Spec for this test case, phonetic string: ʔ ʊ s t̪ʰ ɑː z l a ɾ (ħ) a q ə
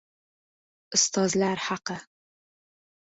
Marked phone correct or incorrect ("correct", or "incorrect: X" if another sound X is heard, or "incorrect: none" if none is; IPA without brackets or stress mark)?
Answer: correct